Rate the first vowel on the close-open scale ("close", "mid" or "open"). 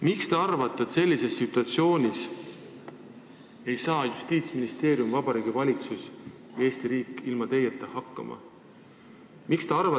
close